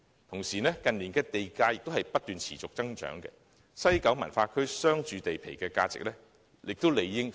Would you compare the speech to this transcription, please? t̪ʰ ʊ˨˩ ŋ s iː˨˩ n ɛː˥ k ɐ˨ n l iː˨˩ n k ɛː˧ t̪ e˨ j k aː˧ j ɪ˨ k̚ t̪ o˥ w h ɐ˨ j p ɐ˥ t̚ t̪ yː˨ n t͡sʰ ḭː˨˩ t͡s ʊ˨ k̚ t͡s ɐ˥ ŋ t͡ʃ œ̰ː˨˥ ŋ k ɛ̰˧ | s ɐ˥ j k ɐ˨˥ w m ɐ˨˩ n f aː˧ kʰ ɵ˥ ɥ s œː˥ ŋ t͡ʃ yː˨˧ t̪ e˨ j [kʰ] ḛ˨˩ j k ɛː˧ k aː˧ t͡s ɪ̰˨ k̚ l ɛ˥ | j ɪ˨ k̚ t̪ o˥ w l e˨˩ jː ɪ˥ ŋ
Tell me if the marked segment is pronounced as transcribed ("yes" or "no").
no